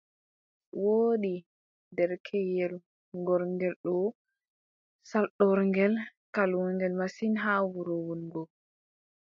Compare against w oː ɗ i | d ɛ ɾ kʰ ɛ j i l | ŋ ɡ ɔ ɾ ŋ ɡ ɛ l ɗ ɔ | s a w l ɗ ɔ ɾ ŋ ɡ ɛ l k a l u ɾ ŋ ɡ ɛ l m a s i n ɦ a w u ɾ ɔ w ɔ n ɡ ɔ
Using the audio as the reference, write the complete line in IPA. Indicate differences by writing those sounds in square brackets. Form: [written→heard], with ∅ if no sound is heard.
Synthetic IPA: w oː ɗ i | d ɛ ɾ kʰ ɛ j [i→ɛ] l | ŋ ɡ ɔ ɾ ŋ ɡ ɛ l ɗ ɔ | s a [w→∅] l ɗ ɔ ɾ ŋ ɡ ɛ l k a l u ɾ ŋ ɡ ɛ l m a s i n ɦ a w u ɾ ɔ w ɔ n ɡ ɔ